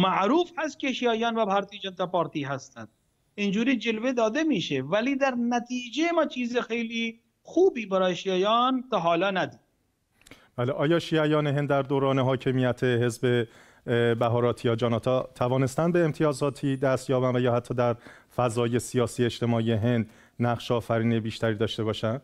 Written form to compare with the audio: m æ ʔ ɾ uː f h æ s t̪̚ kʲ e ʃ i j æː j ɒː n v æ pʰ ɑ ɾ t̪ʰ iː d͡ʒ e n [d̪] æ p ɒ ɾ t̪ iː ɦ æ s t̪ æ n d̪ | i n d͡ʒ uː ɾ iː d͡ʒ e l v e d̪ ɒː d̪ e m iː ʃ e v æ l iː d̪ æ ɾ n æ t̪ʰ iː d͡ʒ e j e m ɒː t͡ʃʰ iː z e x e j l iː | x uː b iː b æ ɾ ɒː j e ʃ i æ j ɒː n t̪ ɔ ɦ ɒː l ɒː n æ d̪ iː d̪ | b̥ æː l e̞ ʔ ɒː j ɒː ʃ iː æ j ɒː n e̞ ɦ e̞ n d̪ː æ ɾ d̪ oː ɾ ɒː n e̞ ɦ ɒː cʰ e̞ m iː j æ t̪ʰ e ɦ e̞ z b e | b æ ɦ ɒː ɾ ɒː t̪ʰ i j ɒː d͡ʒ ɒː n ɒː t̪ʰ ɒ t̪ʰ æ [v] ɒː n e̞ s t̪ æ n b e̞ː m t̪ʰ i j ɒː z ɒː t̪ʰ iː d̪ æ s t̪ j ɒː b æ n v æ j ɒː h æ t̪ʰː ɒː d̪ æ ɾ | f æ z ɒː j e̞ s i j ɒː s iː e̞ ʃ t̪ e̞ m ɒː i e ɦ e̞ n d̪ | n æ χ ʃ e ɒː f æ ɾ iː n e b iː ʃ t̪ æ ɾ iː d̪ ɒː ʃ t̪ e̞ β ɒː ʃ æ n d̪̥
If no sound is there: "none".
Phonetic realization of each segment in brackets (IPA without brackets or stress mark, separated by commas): t̪, v